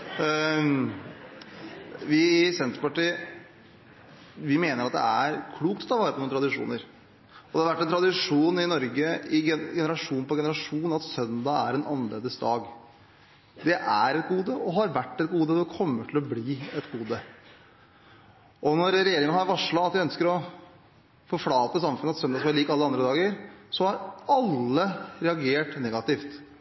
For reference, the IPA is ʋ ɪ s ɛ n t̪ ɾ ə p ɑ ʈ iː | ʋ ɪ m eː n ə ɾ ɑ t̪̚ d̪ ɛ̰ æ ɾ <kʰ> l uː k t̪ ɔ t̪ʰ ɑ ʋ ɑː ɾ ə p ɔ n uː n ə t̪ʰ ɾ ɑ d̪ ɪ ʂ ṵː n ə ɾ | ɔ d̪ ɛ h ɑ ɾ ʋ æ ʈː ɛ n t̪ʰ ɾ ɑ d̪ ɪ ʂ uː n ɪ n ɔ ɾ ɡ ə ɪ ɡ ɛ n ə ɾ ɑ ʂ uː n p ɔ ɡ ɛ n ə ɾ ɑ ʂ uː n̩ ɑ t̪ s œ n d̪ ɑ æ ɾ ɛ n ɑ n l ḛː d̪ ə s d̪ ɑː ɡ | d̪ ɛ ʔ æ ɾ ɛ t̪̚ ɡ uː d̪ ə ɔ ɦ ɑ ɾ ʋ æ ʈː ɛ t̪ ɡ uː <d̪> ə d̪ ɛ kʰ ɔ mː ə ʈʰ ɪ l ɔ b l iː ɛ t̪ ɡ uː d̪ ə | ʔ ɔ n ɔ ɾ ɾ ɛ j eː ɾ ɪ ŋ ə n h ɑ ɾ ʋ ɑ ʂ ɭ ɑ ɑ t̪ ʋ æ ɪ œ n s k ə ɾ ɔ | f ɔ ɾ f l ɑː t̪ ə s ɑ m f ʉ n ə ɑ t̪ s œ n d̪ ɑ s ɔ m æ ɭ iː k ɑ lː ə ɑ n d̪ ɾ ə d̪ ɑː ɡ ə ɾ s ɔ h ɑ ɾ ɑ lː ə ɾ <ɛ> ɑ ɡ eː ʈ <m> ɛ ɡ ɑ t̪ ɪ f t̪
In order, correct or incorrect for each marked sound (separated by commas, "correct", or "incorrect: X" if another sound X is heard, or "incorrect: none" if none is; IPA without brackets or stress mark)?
correct, correct, correct, incorrect: n